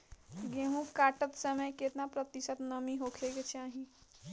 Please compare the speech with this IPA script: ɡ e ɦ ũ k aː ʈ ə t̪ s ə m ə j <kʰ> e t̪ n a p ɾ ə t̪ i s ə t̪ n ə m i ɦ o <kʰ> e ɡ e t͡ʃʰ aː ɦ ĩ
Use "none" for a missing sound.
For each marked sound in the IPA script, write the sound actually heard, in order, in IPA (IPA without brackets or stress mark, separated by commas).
k, kʰ